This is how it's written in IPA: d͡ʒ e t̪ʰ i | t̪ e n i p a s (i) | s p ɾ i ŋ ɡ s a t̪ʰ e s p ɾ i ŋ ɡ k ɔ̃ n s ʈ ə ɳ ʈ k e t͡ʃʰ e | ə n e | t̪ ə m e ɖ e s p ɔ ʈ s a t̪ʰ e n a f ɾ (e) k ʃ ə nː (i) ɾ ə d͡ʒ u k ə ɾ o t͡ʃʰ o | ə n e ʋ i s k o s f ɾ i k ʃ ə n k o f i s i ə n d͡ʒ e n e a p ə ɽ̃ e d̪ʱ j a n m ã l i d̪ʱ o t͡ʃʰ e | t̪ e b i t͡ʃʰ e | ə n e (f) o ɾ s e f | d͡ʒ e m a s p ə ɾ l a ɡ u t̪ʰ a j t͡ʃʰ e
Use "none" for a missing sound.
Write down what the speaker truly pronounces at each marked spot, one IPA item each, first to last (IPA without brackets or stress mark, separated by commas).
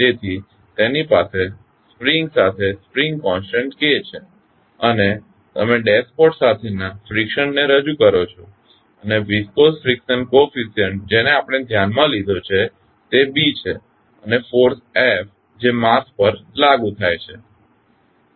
e, i, e, f